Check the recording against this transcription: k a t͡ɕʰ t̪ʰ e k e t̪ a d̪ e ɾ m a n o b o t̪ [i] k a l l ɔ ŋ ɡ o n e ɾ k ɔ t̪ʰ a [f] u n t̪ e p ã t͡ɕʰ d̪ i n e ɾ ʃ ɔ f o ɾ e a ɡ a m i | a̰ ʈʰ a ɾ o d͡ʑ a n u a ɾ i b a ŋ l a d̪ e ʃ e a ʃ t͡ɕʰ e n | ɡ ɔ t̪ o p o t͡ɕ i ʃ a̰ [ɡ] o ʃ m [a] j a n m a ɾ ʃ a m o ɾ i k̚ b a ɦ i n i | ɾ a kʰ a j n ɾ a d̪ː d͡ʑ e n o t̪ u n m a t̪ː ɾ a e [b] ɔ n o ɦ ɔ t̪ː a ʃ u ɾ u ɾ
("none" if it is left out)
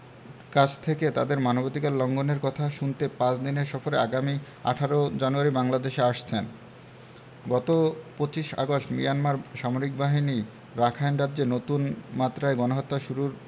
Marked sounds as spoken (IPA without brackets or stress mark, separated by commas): i, ʃ, ɡ, i, ɡ